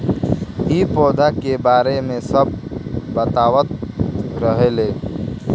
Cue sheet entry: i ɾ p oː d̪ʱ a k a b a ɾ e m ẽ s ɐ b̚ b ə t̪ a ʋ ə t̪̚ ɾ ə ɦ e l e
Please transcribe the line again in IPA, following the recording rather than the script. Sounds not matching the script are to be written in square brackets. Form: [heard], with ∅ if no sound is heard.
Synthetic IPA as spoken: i [∅] p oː d̪ʱ a k [e] b a ɾ e m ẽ s [ə] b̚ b ə t̪ a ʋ ə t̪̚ ɾ ə ɦ e l e